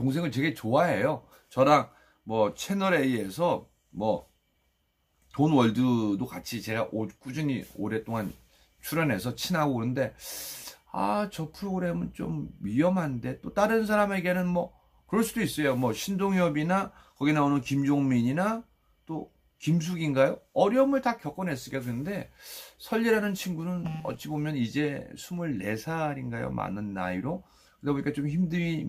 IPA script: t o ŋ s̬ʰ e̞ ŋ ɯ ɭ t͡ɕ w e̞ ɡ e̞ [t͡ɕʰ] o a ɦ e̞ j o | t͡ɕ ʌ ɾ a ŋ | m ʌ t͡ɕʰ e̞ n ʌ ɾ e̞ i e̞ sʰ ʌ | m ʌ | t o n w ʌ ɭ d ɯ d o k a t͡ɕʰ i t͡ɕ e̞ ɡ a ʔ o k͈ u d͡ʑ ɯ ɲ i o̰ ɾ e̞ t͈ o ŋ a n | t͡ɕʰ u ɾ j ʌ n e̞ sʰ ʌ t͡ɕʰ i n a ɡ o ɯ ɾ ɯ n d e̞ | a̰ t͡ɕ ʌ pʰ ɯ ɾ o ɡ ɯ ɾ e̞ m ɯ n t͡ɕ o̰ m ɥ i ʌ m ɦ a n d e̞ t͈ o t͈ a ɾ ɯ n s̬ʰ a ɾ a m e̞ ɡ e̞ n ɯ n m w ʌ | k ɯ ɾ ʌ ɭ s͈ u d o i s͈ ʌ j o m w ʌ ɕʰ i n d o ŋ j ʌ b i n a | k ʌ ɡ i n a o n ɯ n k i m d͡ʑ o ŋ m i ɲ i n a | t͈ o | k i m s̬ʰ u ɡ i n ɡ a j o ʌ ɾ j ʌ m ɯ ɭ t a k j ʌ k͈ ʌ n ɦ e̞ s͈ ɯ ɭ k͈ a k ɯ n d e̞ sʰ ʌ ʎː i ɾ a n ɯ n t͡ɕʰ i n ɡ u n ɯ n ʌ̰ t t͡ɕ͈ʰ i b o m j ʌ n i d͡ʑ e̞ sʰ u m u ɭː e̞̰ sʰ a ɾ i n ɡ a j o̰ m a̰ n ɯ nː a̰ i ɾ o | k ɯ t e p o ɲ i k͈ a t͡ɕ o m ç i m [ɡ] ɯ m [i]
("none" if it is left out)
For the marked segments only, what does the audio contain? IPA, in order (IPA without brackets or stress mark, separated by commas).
t͡ɕ, d, i